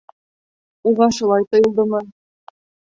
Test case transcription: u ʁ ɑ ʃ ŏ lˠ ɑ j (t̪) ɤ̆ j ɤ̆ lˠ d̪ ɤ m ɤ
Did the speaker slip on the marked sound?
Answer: no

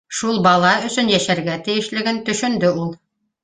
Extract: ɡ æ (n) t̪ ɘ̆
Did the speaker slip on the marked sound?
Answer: yes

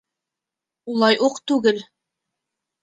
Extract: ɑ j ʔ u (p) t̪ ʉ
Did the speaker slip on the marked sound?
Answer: yes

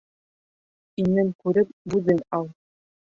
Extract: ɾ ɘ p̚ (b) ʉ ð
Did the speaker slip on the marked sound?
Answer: no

